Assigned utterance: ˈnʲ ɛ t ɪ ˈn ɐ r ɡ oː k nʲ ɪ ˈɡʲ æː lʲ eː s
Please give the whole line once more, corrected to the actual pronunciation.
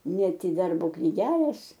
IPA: ˈnʲ ɛ t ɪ ˈd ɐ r b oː k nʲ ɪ ˈɡʲ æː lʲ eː s